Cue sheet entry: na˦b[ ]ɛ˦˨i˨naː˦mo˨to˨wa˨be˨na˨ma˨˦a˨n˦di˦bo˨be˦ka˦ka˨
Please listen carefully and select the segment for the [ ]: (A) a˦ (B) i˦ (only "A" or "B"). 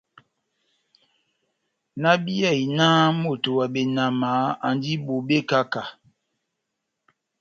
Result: B